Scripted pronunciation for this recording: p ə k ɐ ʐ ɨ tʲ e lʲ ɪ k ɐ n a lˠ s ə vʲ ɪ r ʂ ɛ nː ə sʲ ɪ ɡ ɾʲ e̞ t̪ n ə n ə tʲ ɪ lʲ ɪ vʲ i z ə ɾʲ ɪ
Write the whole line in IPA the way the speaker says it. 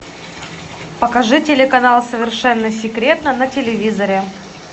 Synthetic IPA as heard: p ə k ɐ ʐ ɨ tʲ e lʲ ɪ k ɐ n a lˠ s ə vʲ ɪ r ʂ ɛ nː ə sʲ ɪ k ɾʲ e̞ t̪ n ə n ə tʲ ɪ lʲ ɪ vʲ i z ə ɾʲ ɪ